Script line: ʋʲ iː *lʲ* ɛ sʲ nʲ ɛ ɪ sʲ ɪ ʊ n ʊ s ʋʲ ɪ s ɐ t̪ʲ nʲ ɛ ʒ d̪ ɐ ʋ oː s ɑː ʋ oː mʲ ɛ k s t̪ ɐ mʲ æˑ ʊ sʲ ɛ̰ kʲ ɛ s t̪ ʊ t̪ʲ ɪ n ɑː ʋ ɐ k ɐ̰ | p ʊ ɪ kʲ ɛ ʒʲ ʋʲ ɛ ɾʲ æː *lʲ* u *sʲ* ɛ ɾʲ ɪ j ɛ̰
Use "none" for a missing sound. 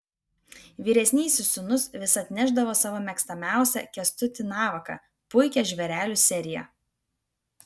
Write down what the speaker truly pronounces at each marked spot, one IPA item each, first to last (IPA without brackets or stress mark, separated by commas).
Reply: ɾʲ, lʲ, sʲ